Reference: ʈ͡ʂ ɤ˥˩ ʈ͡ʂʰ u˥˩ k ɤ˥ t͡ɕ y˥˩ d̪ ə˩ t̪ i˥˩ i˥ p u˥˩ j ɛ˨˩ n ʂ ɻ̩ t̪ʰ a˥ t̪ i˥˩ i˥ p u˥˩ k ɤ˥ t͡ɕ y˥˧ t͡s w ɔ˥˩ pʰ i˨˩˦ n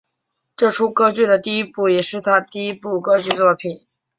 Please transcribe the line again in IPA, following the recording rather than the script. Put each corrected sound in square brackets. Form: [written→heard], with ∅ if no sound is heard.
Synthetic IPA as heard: ʈ͡ʂ ɤ˥˩ ʈ͡ʂʰ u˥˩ k ɤ˥ t͡ɕ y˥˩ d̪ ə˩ t̪ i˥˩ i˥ p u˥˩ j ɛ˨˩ [n→∅] ʂ ɻ̩ t̪ʰ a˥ t̪ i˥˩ i˥ p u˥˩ k ɤ˥ t͡ɕ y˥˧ t͡s w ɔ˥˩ pʰ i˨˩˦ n